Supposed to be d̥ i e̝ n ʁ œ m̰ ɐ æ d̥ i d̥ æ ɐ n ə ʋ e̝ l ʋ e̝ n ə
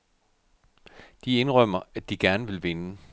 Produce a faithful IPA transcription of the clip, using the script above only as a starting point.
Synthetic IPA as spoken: d̥ i e̝ n ʁ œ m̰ ɐ æ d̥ i ɡ̥ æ ɐ n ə ʋ e̝ l ʋ e̝ n ə